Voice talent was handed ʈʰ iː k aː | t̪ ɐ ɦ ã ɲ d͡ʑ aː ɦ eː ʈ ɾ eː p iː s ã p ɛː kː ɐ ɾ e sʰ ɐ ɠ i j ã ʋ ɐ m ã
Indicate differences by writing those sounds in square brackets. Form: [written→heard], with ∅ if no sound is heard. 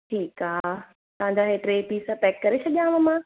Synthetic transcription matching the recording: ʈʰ iː k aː | t̪ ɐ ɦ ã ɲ d͡ʑ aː ɦ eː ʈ ɾ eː p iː s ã p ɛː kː ɐ ɾ e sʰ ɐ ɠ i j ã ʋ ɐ m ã